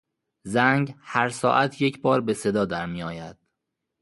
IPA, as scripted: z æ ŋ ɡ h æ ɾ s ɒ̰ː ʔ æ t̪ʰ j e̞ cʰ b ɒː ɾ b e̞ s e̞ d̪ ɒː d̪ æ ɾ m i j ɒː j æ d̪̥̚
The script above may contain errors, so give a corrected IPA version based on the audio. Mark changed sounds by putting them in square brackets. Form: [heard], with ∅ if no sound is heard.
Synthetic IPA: z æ ŋ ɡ h æ ɾ s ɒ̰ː ʔ æ t̪ʰ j e̞ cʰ b ɒː ɾ b e̞ s e̞ d̪ ɒː d̪ æ ɾ m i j ɒː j æ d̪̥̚